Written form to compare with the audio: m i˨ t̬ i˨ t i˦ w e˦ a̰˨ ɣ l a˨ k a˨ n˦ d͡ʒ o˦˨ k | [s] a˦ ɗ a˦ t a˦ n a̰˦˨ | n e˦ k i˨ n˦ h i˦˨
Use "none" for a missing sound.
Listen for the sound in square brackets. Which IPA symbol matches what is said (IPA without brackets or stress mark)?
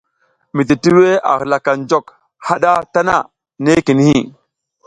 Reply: h